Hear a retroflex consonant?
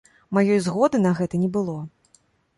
no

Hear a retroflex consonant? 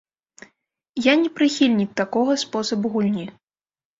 no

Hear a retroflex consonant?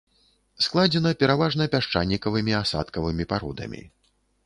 yes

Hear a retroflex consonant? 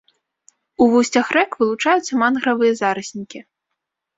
yes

